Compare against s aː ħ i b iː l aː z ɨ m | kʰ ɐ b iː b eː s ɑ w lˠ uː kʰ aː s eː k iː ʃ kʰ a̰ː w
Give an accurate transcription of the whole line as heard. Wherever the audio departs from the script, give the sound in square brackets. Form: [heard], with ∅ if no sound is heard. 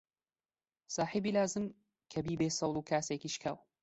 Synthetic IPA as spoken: s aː ħ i b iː l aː z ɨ m | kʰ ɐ b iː b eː s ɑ w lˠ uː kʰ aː s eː k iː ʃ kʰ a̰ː w